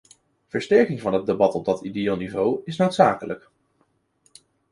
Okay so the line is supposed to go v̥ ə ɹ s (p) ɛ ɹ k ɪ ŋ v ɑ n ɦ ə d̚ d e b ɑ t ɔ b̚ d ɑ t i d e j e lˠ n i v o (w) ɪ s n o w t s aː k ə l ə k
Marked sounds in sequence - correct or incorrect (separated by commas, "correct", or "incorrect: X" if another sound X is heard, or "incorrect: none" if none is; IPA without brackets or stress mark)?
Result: incorrect: t, correct